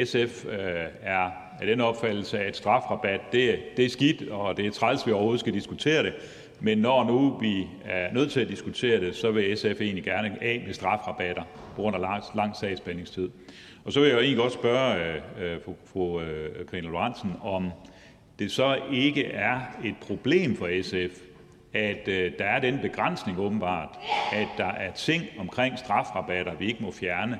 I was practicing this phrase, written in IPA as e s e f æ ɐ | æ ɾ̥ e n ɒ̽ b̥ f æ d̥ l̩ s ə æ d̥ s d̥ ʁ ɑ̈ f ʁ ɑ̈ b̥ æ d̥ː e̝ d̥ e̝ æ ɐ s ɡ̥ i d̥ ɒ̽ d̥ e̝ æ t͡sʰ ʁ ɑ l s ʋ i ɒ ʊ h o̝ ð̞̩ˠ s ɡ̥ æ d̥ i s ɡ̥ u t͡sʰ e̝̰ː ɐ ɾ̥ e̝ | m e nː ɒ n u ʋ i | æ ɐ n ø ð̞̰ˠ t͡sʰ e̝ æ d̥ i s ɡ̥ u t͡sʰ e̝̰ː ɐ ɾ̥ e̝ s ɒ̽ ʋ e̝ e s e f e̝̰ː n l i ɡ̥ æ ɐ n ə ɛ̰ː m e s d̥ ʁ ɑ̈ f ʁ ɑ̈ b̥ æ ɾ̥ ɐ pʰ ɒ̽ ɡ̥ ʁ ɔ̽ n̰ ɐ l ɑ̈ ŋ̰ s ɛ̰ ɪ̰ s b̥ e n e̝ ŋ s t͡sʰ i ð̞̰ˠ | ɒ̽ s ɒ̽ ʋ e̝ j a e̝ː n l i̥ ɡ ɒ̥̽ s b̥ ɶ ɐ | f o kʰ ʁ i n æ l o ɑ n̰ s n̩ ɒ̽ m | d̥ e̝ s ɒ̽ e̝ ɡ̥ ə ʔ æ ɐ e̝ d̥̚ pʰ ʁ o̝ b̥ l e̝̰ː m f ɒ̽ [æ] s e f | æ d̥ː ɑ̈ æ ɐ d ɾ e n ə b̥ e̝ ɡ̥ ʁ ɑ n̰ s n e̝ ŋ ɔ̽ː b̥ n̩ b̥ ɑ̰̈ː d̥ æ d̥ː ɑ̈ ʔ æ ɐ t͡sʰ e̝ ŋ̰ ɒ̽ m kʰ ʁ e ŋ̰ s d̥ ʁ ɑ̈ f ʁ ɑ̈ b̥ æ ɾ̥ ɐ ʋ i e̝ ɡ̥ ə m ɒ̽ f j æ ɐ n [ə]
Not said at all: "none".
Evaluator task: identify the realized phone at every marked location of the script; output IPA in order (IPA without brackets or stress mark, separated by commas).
e, ə